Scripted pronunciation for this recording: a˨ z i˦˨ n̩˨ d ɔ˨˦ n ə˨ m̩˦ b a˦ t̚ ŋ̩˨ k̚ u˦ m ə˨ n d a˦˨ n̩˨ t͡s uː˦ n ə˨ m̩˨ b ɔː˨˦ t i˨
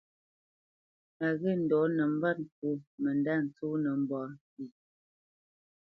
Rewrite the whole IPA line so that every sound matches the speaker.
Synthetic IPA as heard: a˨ ɣ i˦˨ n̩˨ d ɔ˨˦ n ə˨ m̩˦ b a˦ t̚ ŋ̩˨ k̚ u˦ m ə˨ n d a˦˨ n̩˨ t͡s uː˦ n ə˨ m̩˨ b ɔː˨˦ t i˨